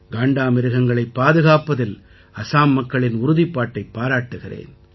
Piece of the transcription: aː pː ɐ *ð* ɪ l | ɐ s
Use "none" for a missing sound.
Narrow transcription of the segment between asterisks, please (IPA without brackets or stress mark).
ð